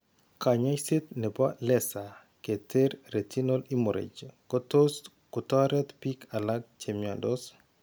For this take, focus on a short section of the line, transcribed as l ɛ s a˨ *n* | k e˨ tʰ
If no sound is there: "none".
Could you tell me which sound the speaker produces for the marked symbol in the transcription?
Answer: none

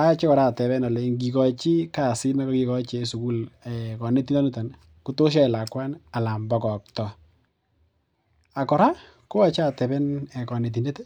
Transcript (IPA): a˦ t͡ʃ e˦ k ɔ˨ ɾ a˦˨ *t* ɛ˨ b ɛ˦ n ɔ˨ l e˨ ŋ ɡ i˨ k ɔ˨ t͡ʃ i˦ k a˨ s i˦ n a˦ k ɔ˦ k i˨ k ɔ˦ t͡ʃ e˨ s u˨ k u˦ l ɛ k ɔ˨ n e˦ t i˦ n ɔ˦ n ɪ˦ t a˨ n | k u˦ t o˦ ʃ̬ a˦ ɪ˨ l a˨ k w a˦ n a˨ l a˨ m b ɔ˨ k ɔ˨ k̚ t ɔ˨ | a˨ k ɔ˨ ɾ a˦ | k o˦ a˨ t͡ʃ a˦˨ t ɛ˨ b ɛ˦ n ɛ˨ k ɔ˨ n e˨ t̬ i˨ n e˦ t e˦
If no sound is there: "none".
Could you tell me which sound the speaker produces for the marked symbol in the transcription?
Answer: t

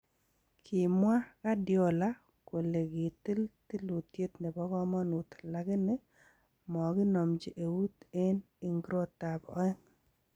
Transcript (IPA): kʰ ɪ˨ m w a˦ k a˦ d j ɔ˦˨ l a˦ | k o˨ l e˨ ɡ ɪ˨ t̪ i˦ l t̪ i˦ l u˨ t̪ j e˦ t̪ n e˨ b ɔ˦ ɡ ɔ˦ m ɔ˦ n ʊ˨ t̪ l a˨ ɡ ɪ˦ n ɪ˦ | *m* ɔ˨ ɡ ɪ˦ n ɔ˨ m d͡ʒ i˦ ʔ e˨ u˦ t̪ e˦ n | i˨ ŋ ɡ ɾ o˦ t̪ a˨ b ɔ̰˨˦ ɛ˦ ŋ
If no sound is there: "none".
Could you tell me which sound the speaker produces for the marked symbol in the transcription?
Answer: m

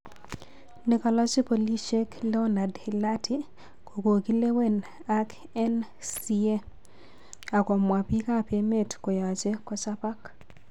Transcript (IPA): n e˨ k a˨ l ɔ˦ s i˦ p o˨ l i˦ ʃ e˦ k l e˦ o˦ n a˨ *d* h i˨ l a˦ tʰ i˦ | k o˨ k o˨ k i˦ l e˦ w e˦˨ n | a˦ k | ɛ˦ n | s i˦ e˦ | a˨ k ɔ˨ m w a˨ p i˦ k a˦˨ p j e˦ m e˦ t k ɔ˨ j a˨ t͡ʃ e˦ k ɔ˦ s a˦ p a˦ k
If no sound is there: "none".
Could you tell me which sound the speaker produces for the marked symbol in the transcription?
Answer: d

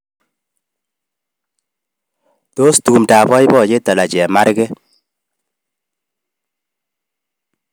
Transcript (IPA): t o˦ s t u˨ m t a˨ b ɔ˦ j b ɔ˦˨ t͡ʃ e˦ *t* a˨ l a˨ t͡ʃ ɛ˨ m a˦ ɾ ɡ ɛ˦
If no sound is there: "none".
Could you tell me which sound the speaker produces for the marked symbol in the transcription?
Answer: t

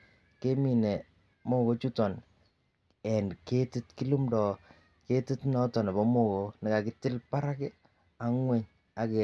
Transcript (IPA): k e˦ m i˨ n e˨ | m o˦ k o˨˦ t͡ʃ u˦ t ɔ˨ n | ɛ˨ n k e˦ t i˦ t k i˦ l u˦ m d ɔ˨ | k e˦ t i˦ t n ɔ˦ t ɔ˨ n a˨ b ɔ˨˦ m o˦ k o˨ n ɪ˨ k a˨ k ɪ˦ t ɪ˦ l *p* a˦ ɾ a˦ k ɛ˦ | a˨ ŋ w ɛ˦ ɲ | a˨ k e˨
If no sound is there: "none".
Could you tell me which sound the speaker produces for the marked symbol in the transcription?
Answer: p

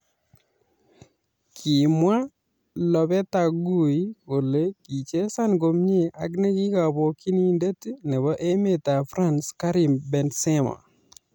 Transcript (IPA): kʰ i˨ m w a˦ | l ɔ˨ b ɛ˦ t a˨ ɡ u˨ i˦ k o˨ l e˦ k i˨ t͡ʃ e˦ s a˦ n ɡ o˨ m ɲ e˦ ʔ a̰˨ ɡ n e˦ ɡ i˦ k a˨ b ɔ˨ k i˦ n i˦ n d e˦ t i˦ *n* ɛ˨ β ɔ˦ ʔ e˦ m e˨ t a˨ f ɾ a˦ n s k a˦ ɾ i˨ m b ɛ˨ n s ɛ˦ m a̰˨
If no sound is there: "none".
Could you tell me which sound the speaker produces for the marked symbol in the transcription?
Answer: n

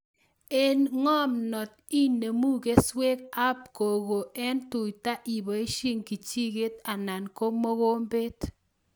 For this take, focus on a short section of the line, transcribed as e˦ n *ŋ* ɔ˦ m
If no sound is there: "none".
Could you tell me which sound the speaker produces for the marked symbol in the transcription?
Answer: ŋ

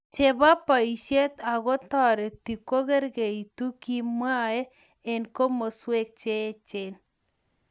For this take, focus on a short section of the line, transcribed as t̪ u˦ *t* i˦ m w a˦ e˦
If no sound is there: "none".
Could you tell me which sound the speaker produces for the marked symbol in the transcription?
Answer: k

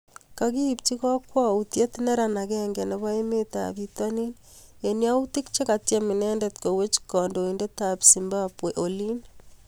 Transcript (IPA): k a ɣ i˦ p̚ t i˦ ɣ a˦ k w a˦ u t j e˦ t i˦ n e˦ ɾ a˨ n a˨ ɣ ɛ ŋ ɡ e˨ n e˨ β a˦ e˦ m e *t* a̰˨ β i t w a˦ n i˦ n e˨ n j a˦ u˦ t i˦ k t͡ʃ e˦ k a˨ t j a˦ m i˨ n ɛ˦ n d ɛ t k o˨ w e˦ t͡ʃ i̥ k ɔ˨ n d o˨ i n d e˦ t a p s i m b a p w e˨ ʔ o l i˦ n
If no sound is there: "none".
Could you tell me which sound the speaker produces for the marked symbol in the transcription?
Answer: t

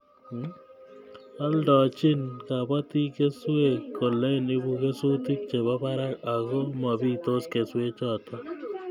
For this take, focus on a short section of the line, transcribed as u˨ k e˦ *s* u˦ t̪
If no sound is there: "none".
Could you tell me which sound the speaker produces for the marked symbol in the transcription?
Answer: s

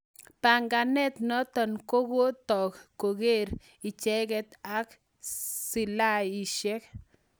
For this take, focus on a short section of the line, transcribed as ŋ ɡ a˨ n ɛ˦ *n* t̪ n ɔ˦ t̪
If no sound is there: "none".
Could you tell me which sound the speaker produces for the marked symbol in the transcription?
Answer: none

